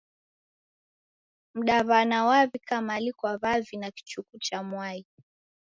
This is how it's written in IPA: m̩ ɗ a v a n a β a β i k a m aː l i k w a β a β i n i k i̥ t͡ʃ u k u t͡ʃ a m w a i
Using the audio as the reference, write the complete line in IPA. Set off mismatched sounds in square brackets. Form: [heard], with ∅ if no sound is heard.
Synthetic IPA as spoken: m̩ ɗ a [β] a n a [w] a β i k a m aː l i k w a β a [v] i n [a] k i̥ t͡ʃ u k u t͡ʃ a m w a i